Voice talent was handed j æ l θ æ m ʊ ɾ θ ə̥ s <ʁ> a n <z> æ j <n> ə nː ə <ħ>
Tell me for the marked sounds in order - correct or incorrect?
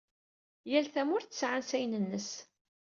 incorrect: ʕ, incorrect: s, correct, incorrect: s

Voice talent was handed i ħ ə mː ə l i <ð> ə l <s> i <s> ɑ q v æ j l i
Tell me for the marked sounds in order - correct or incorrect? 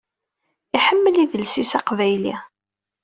correct, correct, correct

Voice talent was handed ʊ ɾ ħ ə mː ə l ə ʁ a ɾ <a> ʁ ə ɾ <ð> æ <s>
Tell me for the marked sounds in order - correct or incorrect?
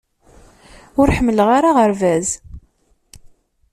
correct, incorrect: v, incorrect: z

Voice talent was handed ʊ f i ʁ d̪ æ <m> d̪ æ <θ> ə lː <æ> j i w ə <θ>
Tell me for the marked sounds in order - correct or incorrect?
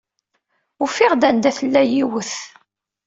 incorrect: n, correct, correct, correct

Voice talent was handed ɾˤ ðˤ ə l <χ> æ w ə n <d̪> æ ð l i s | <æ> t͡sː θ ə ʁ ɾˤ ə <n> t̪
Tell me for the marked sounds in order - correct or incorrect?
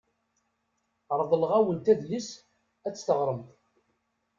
incorrect: ʁ, incorrect: t̪, correct, incorrect: m

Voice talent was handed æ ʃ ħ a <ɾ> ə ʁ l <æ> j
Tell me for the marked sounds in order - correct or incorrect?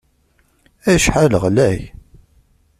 incorrect: l, correct

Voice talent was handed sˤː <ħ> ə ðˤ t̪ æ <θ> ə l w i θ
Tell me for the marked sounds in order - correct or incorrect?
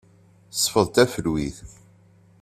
incorrect: f, incorrect: f

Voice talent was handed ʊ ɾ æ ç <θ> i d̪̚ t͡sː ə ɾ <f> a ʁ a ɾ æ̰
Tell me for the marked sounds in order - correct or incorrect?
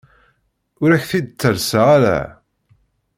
correct, incorrect: s

